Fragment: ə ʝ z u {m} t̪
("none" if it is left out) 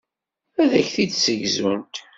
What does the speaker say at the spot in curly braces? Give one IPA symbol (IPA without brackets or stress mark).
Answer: n